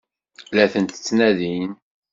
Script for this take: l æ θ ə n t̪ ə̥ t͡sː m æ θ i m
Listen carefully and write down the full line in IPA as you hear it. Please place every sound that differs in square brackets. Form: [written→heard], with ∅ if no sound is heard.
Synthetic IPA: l æ θ ə n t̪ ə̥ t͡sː [m→n] æ [θ→ð] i [m→n]